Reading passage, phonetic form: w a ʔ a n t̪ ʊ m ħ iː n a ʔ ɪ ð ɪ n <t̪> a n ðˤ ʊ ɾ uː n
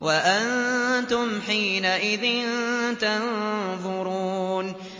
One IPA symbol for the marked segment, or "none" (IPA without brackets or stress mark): t̪